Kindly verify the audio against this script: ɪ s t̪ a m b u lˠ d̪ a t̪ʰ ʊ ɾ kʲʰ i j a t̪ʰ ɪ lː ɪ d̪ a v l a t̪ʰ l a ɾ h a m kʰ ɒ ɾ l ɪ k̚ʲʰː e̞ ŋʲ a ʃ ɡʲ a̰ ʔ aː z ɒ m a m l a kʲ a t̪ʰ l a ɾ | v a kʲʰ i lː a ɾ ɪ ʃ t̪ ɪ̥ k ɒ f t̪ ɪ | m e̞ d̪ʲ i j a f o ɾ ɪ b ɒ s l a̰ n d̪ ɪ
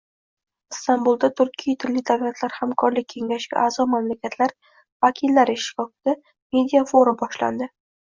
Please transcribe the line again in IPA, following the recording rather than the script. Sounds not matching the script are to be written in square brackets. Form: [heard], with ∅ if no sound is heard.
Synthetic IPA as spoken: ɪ s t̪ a m b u lˠ d̪ a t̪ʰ ʊ ɾ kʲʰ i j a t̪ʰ ɪ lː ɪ d̪ a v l a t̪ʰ l a ɾ h a m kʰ ɒ ɾ l ɪ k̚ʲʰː e̞ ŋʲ a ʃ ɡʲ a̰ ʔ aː z ɒ m a m l a kʲ a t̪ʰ l a ɾ | v a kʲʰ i lː a ɾ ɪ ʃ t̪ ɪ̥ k ɒ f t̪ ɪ | m e̞ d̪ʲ i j a f o ɾ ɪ b ɒ [ʃ] l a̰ n d̪ ɪ